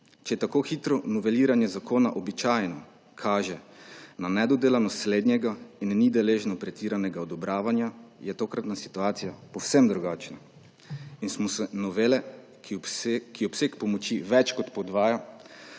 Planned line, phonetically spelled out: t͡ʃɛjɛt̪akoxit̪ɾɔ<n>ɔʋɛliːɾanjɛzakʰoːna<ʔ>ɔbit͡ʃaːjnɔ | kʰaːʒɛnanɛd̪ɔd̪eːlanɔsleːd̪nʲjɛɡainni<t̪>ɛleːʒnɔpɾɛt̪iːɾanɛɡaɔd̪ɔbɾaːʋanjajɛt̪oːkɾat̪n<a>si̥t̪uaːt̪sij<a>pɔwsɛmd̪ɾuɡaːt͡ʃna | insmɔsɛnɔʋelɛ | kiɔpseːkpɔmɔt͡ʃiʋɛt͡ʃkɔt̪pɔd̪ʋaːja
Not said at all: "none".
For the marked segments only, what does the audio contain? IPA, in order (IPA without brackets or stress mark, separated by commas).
n, ʔ, d̪, a, a